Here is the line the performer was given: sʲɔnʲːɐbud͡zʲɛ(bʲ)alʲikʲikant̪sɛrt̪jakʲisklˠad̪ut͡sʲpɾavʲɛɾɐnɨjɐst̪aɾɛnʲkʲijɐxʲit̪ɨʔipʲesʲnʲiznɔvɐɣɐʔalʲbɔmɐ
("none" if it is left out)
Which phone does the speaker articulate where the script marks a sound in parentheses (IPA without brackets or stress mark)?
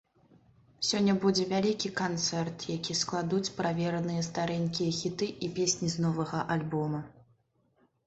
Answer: vʲ